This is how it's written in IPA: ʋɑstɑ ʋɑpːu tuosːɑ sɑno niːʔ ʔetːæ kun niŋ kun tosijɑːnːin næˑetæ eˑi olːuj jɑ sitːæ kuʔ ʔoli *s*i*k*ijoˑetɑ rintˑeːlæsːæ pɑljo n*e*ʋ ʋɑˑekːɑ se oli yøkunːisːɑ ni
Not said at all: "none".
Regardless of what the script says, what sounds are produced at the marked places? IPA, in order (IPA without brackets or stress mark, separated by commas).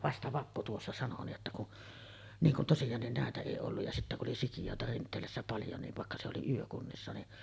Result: s, k, i